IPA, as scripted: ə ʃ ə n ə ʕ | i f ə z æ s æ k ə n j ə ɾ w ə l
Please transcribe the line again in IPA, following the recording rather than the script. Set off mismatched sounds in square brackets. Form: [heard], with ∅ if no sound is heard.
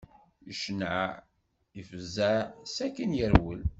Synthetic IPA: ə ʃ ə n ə ʕ | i f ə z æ s æ k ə n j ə ɾ w ə l

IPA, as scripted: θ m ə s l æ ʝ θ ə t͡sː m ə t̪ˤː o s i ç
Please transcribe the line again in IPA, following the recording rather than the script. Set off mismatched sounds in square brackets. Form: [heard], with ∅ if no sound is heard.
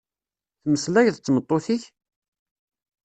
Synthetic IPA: θ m ə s l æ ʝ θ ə t͡sː m ə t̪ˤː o [θ] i ç

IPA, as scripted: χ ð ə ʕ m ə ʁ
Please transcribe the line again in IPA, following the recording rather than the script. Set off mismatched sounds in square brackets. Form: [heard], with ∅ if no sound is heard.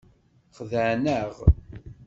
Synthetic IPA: χ ð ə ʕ [n] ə ʁ

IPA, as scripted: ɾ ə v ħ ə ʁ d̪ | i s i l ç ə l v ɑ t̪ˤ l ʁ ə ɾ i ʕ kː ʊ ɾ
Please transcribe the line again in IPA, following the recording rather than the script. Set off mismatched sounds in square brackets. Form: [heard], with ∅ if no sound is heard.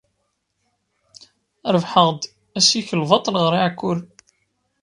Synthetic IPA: ɾ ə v ħ ə ʁ d̪ | [æ] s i [∅] ç ə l v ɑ t̪ˤ l ʁ ə ɾ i ʕ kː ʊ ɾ

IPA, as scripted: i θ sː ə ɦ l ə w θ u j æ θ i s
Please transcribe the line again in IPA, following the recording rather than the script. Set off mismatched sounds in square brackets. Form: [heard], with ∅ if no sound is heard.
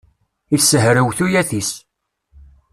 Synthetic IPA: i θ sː ə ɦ [ɾ] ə w θ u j æ θ i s

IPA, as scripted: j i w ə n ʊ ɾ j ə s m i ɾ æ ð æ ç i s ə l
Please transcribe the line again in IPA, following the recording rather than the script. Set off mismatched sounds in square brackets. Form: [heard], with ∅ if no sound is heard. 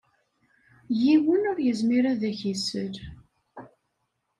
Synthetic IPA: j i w ə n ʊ ɾ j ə [z] m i ɾ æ ð æ ç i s ə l

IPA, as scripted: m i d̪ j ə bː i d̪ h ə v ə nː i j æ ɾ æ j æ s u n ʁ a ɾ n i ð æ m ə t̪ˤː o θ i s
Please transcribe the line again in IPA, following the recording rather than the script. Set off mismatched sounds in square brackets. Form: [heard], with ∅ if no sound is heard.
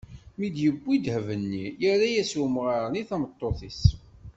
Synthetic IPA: m i d̪ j ə bː i d̪ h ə v ə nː i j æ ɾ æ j æ s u [m] ʁ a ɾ n i [θ] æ m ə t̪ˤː o θ i s

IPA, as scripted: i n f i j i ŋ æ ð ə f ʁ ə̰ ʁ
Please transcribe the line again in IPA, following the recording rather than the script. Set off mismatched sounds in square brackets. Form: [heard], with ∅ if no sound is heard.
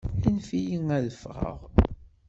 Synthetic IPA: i n f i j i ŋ æ ð ə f ʁ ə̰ ʁ

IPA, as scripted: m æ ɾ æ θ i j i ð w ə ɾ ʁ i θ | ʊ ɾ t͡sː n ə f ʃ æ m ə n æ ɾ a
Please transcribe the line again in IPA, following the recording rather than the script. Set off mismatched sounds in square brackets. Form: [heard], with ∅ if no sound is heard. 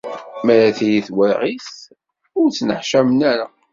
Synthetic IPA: m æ ɾ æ θ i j i [θ] w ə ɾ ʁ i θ | ʊ ɾ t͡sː n ə [ħ] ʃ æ m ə n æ ɾ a

